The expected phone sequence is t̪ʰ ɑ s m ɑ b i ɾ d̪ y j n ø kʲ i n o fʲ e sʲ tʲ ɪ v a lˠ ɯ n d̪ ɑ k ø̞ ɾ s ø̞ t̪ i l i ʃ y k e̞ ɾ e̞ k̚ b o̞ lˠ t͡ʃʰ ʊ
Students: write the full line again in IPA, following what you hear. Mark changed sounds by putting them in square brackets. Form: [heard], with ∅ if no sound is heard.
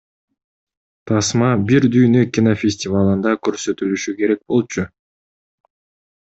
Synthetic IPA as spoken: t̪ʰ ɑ s m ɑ b i ɾ d̪ y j n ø kʲ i n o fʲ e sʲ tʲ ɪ v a lˠ ɯ n d̪ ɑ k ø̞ ɾ s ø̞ t̪ [y] l [y] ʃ y k e̞ ɾ e̞ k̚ b o̞ lˠ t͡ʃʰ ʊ